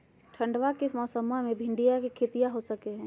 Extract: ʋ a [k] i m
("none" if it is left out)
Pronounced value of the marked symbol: k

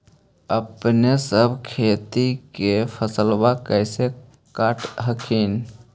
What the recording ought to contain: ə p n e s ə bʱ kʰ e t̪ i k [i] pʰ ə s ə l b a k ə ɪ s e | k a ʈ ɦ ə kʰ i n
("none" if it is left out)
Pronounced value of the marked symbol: e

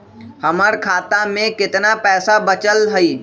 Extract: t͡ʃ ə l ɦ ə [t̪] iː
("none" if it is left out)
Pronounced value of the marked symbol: none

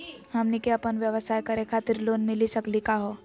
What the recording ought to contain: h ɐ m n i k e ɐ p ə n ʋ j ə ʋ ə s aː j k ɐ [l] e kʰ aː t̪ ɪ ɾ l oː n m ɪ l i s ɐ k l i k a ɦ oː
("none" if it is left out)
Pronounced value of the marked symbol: ɾ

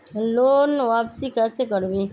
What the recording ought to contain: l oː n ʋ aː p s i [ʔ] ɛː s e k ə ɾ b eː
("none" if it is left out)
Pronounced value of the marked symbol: k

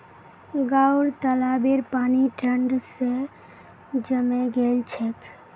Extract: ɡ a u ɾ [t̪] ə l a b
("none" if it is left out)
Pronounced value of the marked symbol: t̪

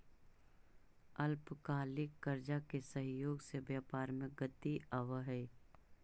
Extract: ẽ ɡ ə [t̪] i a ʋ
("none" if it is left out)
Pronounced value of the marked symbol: t̪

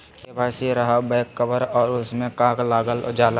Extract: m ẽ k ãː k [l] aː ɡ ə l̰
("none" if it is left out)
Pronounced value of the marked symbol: l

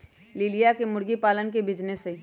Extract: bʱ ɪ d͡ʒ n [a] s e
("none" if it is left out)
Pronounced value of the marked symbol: e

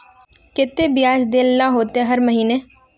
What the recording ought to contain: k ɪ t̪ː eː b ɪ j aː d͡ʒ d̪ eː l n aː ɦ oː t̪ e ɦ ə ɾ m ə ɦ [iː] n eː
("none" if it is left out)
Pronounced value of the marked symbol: iː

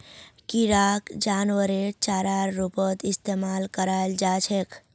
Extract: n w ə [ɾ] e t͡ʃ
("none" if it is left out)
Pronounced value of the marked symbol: ɾ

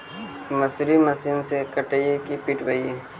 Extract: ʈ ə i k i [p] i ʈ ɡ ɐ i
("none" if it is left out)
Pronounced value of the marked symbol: p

